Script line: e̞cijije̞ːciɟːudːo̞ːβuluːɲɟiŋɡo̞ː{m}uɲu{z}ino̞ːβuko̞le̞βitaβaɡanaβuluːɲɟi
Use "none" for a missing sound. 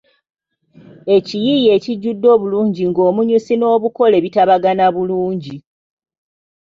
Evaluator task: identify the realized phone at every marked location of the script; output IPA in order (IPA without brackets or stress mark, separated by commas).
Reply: m, s